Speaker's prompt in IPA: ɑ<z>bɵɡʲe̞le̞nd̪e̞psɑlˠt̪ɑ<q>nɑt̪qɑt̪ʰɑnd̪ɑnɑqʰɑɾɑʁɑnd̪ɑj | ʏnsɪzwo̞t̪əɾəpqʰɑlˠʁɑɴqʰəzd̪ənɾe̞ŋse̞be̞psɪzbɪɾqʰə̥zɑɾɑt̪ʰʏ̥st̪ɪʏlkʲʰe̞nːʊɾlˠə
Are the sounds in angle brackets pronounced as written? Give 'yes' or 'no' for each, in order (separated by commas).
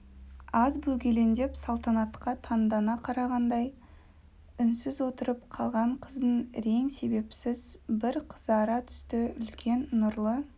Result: yes, no